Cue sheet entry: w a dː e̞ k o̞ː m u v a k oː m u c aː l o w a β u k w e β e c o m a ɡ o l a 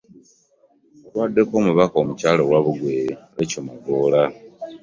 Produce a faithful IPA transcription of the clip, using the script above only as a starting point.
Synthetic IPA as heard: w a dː e̞ k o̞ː m u β a k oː m u c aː l o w a β u ɡ w e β e c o m a ɡ o l a

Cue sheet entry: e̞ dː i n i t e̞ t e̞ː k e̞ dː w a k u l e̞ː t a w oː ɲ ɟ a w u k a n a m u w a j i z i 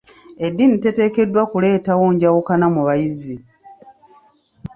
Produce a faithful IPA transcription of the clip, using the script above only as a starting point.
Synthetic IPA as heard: e̞ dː i n i t e̞ t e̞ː k e̞ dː w a k u l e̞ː t a w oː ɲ ɟ a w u k a n a m u β a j i z i

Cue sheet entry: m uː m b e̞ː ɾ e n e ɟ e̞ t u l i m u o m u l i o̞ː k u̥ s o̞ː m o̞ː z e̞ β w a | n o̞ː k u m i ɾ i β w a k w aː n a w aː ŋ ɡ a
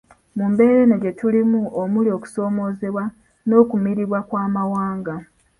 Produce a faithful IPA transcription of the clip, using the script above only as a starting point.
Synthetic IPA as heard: m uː m b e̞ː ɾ e n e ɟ e̞ t u l i m u o m u l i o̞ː k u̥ s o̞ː m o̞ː z e̞ β w a | n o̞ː k u m i ɾ i β w a k w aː m a w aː ŋ ɡ a

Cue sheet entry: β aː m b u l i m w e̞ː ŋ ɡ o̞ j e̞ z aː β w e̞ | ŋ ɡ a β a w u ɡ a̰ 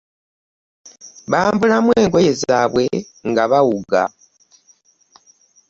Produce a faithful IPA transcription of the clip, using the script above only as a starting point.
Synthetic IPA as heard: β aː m b u l a m w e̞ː ŋ ɡ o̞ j e̞ z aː β w e̞ | ŋ ɡ a β a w u ɡ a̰

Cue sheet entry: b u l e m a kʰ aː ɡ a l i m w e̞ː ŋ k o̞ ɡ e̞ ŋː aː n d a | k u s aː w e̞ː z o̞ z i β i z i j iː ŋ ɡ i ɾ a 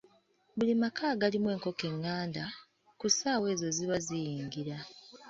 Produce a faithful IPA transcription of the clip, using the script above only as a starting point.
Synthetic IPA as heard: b u l i m a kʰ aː ɡ a l i m w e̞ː ŋ k o̞ k e̞ ŋː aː n d a | k u s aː w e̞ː z o̞ z i β a z i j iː ŋ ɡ i ɾ a

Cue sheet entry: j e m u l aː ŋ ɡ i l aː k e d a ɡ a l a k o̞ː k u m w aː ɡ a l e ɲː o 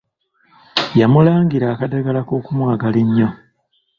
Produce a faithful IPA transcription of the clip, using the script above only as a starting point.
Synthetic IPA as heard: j a m u l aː ŋ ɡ i ɾ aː k a d a ɡ a l a k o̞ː k u m w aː ɡ a l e ɲː o

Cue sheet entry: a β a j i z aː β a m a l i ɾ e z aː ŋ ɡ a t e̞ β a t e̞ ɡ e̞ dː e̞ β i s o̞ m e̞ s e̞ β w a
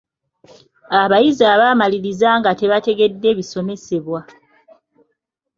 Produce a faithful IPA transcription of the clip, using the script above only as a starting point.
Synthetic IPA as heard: a β a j i z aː β a m a l i ɾ i z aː ŋ ɡ a t e̞ β a t e̞ ɡ e̞ dː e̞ β i s o̞ m e̞ s e̞ β w a

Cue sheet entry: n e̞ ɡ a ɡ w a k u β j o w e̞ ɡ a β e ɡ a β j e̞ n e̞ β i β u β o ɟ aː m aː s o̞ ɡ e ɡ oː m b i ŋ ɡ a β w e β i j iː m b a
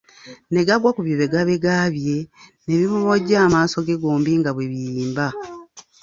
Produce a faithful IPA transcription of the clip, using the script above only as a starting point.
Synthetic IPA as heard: n e̞ ɡ a ɡ w a k u β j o β e̞ ɡ a β e ɡ a β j e̞ n e̞ β i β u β o ɟ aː m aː s o̞ ɡ e ɡ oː m b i ŋ ɡ a β w e β i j iː m b a

